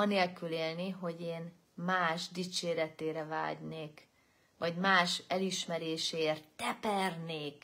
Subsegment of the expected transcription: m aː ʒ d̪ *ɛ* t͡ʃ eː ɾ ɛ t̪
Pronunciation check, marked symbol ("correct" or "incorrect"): incorrect